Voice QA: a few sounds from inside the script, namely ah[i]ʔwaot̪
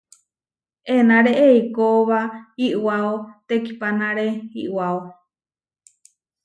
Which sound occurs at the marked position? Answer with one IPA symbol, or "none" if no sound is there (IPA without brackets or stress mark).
i